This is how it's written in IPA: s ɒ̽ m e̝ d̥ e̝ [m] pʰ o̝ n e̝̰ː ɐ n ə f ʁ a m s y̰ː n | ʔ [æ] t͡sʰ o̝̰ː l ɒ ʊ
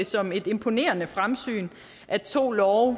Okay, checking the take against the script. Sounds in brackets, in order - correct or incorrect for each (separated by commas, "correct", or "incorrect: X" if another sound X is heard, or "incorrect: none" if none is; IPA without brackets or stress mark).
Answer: correct, correct